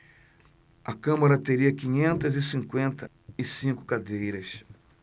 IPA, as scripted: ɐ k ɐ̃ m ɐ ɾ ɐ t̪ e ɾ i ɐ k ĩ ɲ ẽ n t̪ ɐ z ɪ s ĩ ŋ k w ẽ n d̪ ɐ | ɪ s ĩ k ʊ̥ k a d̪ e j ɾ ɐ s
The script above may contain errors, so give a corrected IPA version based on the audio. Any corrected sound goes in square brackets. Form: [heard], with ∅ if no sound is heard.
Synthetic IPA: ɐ k ɐ̃ m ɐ ɾ ɐ t̪ e ɾ i ɐ k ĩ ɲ ẽ n t̪ ɐ z ɪ s ĩ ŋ k w ẽ n [t̪] ɐ | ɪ s ĩ k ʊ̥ k a d̪ e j ɾ ɐ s